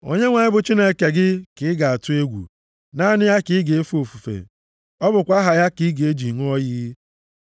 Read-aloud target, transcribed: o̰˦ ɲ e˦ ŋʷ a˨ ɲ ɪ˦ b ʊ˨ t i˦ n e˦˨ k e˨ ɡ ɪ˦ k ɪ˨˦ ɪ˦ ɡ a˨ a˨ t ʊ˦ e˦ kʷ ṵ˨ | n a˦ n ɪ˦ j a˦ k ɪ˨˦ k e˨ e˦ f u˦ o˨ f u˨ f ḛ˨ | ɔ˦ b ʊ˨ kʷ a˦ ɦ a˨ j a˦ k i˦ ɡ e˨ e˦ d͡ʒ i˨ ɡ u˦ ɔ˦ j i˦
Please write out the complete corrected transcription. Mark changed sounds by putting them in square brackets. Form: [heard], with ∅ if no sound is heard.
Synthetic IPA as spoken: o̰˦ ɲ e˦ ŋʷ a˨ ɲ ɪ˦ b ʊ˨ [t͡ʃ] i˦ n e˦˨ k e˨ ɡ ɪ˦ k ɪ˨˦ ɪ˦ ɡ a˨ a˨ t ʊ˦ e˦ [ɡʷ] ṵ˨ | n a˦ n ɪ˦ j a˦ k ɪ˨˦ [ɡ] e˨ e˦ f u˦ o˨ f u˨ f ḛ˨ | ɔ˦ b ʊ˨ kʷ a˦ ɦ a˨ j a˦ k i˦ ɡ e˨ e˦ d͡ʒ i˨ [ŋ] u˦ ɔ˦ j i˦